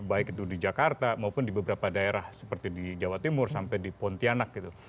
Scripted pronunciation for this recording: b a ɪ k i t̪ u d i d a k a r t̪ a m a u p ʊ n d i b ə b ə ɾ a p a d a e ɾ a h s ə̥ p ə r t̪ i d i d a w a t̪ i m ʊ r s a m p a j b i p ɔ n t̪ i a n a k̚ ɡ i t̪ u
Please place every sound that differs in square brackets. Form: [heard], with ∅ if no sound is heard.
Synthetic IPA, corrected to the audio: b a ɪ k i t̪ u d i [d͡ʒ] a k a r t̪ a m a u p ʊ n d i b ə b ə ɾ a p a d a e ɾ a h s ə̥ p ə r t̪ i d i [d͡ʒ] a w a t̪ i m ʊ r s a m p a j [d] i p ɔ n t̪ i a n a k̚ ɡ i t̪ u